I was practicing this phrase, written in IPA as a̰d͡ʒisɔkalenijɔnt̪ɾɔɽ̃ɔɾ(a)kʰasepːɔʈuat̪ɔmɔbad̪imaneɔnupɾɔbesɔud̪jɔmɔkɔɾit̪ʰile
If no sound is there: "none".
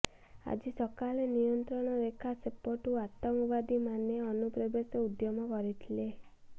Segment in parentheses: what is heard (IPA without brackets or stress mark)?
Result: e